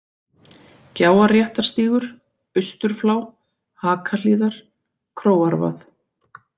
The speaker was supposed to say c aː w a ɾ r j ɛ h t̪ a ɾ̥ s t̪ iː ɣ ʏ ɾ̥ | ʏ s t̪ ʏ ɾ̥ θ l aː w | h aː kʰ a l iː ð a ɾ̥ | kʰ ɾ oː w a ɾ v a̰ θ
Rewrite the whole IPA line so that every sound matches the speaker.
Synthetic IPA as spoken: c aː w a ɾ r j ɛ h t̪ a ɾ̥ s t̪ iː ɣ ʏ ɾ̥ | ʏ s t̪ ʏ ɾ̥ f l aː w | h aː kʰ a l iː ð a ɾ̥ | kʰ ɾ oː w a ɾ v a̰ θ